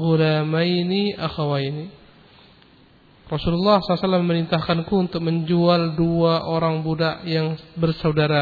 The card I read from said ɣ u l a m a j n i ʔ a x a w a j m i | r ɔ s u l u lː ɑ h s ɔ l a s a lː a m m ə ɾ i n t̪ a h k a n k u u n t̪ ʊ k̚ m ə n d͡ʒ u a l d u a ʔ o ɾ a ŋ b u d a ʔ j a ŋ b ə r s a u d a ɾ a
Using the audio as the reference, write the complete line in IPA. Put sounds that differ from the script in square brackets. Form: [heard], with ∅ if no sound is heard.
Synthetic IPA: ɣ u l a m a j n i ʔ a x a w a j [n] i | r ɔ s u l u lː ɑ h s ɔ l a s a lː a m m ə ɾ i n t̪ a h k a n k u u n t̪ ʊ k̚ m ə [ɲ] d͡ʒ u a l d u a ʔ o ɾ a ŋ b u d a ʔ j a ŋ b ə r s a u d a ɾ a